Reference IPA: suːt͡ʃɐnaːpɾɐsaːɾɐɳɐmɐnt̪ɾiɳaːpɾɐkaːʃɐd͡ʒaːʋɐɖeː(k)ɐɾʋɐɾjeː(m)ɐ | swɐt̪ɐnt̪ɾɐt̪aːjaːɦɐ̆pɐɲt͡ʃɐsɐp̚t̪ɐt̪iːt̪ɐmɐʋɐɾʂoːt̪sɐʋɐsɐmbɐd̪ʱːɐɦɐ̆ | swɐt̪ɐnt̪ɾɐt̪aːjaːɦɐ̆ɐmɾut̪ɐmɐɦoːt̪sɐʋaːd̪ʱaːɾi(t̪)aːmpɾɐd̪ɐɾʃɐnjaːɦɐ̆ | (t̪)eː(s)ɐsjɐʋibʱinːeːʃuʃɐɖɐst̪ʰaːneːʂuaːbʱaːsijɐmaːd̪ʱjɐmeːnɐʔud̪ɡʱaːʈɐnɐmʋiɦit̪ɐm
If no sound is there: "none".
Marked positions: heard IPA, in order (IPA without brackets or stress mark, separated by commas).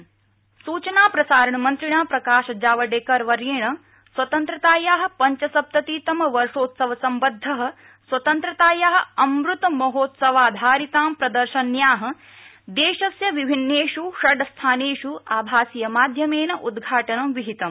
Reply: k, ɳ, t̪, d̪, ʃ